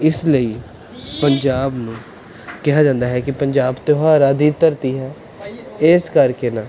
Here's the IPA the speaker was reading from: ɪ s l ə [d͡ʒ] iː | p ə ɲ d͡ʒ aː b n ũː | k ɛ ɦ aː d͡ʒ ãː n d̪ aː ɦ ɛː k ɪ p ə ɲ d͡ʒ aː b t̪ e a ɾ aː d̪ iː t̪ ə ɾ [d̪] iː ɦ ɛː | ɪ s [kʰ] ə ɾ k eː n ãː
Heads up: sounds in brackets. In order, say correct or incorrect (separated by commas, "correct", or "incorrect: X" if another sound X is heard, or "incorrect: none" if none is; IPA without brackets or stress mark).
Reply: incorrect: none, incorrect: t̪, incorrect: k